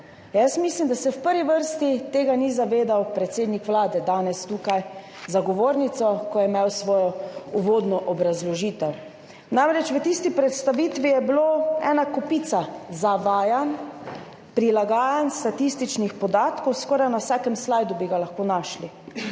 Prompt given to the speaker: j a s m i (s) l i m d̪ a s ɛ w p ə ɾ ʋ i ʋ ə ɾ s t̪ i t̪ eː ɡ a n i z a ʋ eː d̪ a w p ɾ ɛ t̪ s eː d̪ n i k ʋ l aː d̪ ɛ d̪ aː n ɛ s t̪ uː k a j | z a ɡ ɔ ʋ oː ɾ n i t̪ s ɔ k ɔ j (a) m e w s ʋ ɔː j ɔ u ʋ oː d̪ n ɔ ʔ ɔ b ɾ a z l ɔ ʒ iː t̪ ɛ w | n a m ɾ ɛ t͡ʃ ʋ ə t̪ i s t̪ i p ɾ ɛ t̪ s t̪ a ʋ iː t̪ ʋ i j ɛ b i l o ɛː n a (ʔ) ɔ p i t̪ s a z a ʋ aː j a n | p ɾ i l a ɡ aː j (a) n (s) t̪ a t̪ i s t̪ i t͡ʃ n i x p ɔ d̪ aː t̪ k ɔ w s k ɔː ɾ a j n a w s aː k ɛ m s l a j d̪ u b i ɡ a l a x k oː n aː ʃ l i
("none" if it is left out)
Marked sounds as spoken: s, ɛ, k, a, s

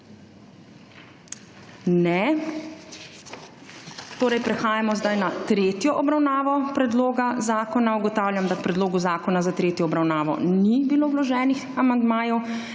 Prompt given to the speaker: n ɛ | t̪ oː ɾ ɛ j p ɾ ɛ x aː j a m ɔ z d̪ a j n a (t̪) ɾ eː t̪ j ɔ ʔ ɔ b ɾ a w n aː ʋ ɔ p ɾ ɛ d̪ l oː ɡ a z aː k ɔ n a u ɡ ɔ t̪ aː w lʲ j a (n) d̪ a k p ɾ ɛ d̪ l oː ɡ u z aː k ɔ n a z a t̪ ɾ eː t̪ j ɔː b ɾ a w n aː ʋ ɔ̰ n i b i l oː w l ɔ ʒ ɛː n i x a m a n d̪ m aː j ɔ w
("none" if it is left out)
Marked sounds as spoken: t̪, m

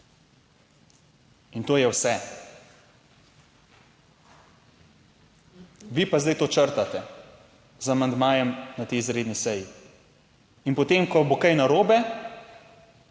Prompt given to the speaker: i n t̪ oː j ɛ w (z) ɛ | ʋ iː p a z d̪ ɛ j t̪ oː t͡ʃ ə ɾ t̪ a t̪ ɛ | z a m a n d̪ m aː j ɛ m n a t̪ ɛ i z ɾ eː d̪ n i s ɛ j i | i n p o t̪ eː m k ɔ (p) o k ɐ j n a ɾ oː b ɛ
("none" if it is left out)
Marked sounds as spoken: s, b

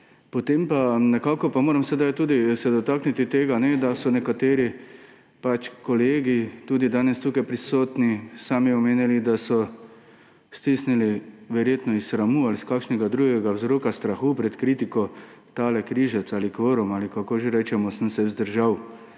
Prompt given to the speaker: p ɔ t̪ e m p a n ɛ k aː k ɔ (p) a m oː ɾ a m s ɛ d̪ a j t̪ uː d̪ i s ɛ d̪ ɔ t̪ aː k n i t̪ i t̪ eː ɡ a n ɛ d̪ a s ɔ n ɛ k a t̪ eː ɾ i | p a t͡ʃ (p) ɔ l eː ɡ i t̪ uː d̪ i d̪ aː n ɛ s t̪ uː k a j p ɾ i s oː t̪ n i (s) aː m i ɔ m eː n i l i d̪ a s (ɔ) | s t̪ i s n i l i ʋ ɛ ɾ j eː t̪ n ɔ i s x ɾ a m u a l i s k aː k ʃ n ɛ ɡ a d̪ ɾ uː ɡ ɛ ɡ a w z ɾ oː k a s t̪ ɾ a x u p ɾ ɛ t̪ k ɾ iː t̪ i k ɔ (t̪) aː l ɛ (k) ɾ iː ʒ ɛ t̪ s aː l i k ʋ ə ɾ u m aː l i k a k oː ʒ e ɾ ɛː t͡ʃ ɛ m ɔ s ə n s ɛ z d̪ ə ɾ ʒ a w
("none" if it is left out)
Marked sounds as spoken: p, k, s, ɔ, t̪, k

